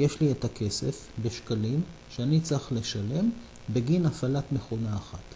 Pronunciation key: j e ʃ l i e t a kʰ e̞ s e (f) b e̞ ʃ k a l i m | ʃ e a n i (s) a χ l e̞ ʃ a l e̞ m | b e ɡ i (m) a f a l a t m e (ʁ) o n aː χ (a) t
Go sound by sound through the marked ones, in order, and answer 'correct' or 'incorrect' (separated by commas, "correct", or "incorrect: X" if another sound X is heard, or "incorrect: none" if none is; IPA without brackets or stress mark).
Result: correct, incorrect: t͡s, incorrect: n, incorrect: χ, correct